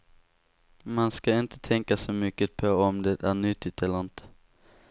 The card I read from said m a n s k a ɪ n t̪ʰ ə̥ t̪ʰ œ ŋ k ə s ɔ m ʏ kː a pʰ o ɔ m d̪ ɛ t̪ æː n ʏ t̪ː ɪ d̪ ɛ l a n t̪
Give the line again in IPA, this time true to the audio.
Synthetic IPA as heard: m a n s k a ɪ n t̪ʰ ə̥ t̪ʰ ɛ ŋ k a s ɔ m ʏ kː ə pʰ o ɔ m d̪ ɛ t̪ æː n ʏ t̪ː ɪ t̪ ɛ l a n t̪